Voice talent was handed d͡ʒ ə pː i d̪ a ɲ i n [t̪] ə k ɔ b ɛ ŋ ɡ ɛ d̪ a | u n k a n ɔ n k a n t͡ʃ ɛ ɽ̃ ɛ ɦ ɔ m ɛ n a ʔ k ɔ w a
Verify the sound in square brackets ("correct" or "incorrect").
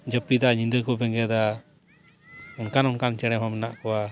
incorrect